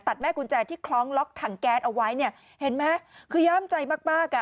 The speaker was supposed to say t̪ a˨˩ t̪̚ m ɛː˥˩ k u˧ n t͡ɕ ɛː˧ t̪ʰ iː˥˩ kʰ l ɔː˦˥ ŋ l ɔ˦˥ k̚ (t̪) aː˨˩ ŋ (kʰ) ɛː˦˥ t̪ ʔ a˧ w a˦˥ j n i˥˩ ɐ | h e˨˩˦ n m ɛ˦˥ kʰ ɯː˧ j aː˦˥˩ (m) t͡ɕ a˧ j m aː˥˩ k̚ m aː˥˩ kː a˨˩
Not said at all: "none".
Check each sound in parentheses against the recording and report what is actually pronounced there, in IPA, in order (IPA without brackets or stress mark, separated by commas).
t̪ʰ, k, m